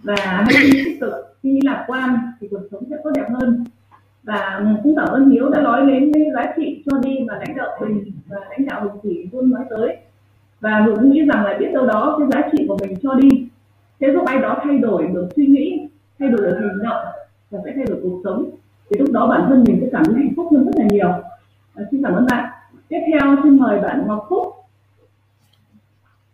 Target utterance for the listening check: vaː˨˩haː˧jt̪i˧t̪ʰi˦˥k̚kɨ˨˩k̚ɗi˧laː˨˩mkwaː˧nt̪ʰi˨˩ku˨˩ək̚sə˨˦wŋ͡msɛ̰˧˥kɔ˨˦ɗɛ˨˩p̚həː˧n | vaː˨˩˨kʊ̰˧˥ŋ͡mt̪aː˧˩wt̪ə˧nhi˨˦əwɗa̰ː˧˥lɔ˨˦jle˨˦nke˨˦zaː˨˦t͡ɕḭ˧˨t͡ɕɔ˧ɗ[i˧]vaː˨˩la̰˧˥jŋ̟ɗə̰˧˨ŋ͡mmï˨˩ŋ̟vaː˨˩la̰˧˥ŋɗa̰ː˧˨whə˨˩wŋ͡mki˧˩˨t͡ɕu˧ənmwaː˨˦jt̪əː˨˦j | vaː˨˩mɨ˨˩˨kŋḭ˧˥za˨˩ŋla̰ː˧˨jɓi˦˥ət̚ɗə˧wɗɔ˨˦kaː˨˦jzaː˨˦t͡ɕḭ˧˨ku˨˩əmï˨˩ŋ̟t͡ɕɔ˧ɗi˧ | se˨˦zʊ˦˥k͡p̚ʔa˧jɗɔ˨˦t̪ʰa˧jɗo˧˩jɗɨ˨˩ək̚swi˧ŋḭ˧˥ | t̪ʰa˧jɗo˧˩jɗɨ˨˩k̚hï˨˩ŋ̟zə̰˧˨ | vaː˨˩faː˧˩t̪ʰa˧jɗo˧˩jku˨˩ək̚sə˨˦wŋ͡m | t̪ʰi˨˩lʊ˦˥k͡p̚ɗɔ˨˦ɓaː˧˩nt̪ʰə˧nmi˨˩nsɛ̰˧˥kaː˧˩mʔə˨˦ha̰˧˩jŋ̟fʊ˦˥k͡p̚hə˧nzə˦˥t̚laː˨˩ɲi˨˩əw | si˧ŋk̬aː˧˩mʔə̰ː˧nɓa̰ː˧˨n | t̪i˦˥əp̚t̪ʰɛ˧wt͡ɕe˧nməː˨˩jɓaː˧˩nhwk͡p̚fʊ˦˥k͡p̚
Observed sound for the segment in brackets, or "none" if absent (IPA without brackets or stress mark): i˧